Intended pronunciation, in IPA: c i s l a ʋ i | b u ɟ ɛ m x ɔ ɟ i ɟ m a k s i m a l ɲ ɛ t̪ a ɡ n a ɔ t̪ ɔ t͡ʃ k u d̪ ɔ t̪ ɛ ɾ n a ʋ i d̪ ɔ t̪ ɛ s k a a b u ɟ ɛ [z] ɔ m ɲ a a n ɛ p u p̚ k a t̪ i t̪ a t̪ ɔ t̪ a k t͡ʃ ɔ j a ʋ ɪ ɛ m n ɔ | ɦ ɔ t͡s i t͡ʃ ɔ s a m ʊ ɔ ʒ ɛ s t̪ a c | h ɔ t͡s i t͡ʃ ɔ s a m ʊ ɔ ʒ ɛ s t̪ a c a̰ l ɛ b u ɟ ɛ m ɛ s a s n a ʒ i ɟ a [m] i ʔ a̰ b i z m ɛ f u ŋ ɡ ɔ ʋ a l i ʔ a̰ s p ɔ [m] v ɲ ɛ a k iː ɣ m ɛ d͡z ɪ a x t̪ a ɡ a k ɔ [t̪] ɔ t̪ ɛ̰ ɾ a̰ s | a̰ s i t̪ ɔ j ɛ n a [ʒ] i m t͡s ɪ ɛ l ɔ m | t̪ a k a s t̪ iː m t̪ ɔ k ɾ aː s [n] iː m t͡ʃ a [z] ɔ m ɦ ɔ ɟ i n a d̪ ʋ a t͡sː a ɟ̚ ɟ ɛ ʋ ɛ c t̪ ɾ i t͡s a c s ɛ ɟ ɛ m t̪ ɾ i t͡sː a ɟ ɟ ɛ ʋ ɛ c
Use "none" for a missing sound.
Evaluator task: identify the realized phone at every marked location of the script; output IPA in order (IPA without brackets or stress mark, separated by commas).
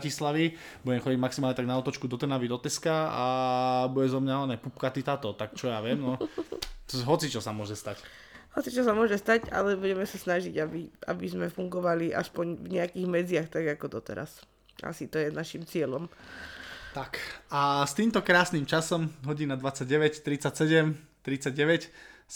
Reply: z, b, ɲ, d̪, ʃ, n, s